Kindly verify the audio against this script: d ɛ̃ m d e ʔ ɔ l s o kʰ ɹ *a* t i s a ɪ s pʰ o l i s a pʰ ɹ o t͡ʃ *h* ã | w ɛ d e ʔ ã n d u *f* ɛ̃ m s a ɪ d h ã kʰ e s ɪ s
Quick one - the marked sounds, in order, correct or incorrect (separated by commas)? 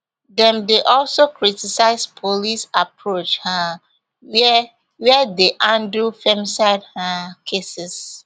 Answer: incorrect, correct, correct